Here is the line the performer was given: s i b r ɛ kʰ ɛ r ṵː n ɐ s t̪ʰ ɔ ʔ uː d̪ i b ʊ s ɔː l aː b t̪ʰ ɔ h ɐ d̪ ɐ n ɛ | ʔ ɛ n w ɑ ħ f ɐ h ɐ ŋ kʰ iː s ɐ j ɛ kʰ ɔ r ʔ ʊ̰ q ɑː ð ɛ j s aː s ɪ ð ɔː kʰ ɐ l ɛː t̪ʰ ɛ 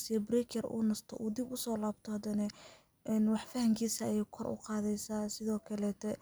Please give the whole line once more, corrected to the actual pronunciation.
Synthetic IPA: s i b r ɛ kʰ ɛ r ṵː n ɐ s t̪ʰ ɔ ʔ uː d̪ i b ʊ s ɔː l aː b t̪ʰ ɔ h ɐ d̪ ɐ n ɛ | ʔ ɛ n w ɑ ħ f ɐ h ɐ ŋ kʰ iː s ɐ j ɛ kʰ ɔ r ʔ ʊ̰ q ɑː ð ɛ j s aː s ɪ ð ɔː kʰ ɐ l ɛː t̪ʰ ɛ